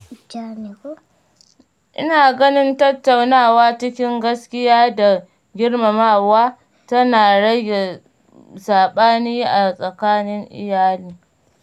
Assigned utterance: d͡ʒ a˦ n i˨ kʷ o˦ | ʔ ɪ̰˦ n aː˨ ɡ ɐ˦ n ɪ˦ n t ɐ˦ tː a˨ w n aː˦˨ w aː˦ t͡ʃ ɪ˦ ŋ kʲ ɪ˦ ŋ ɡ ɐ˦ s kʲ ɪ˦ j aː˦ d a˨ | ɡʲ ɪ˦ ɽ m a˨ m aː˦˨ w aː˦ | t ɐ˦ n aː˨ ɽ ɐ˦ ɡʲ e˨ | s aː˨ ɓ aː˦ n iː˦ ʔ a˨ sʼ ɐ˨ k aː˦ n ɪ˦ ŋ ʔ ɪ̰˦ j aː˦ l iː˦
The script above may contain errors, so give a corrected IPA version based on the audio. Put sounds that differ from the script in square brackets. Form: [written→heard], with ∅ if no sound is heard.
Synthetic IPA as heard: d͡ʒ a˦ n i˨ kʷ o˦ | ʔ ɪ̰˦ n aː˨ ɡ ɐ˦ n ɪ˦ n t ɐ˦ tː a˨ w n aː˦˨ w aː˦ t͡ʃ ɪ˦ [ŋ→∅] kʲ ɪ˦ ŋ ɡ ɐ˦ s kʲ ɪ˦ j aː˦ d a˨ | ɡʲ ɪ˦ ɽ m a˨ m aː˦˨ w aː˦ | t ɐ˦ n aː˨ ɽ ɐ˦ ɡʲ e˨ | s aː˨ ɓ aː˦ n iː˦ ʔ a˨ sʼ ɐ˨ k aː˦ n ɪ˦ ŋ ʔ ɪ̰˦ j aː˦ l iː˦